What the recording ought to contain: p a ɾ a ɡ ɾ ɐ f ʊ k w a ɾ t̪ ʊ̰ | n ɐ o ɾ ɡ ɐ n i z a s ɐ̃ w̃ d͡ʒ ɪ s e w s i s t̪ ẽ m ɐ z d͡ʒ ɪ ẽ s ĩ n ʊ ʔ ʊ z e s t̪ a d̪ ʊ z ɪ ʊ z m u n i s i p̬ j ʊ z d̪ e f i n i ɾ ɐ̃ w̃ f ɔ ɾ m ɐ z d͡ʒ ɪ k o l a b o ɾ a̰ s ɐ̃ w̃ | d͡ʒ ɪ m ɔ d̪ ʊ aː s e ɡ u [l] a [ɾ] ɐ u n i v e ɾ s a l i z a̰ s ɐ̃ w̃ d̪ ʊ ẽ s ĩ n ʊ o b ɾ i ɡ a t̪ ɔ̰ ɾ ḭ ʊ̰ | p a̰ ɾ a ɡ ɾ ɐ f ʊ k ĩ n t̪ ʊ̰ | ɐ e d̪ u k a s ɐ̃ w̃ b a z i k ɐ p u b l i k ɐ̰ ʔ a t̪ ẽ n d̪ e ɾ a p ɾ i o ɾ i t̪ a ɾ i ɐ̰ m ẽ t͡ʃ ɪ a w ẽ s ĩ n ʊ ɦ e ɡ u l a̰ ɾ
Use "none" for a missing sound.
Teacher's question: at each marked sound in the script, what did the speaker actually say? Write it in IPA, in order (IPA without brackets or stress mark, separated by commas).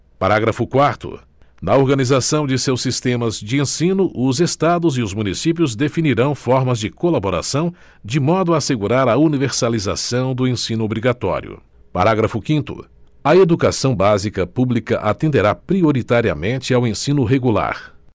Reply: ɾ, ɾ